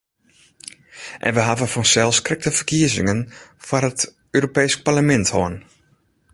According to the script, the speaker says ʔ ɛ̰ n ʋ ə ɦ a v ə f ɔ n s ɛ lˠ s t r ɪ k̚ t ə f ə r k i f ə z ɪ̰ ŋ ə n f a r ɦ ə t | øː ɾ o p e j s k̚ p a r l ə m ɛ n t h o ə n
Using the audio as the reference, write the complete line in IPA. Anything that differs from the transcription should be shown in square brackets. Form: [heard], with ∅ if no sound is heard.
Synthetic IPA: ʔ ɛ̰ n ʋ ə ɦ a v ə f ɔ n s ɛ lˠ s [k] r ɪ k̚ t ə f ə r k i [∅] ə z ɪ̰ ŋ ə n f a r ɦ ə t | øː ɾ o p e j s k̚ p a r l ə m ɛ n t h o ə n